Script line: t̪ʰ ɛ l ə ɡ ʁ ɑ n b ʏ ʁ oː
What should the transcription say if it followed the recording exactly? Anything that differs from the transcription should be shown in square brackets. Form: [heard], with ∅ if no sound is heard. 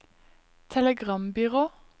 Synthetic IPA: t̪ʰ ɛ l ə ɡ ʁ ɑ [m] b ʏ ʁ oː